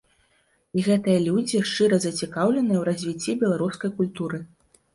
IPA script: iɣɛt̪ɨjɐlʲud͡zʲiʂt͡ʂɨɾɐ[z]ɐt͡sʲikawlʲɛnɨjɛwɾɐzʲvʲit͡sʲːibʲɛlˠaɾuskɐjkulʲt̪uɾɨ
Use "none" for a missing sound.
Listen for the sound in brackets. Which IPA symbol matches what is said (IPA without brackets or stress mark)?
z